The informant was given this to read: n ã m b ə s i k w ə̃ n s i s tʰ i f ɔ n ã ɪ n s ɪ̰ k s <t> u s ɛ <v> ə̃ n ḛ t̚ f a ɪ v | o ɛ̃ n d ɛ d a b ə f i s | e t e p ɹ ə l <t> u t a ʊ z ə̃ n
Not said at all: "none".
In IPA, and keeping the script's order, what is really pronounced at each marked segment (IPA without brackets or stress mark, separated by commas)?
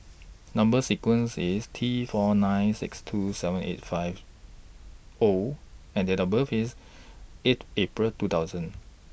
tʰ, v, t